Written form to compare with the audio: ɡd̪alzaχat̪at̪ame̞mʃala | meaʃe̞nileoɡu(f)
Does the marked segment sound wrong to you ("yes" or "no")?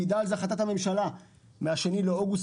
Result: yes